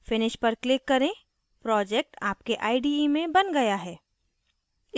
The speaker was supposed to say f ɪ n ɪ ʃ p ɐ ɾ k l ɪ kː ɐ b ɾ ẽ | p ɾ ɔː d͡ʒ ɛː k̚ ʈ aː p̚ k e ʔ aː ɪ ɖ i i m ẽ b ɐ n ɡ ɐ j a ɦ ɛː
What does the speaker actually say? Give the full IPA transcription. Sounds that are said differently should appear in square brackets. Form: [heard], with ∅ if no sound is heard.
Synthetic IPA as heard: f ɪ n ɪ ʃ p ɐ ɾ k l ɪ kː ɐ [∅] ɾ ẽ | p ɾ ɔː d͡ʒ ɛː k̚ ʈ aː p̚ k e ʔ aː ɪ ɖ i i m ẽ b ɐ n ɡ ɐ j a ɦ ɛː